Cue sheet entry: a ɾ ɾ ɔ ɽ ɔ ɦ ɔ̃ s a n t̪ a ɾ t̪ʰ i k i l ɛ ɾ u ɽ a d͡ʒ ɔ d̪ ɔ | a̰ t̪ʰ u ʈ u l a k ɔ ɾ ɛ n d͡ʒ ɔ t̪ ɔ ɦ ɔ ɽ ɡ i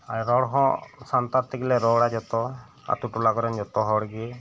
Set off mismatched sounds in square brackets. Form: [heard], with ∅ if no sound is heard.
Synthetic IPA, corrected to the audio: a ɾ ɾ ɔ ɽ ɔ ɦ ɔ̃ s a n t̪ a ɾ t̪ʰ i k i l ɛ ɾ [ɔ] ɽ a d͡ʒ ɔ [t̪] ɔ | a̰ [t̪] u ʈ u l a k ɔ ɾ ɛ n d͡ʒ ɔ t̪ ɔ ɦ ɔ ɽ ɡ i